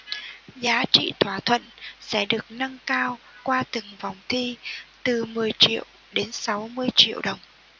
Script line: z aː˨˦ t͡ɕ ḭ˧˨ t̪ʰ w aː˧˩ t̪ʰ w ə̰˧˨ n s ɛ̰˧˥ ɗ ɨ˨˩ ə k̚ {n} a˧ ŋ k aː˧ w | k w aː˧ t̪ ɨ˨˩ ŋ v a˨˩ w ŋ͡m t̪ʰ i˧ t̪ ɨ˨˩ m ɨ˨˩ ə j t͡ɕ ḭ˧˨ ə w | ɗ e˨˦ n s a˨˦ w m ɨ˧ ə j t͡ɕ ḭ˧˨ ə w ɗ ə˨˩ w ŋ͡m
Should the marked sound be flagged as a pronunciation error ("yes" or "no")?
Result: no